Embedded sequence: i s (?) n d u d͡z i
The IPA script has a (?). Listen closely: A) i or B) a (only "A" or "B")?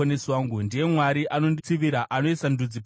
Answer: B